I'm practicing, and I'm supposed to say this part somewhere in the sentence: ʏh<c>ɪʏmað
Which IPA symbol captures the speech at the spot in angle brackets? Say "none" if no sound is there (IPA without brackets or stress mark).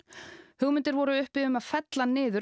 p